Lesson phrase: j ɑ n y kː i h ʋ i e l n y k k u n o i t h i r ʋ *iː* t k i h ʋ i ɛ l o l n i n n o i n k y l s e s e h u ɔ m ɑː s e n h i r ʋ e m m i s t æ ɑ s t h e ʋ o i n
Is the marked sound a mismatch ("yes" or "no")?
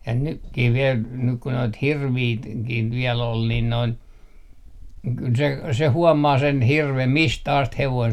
no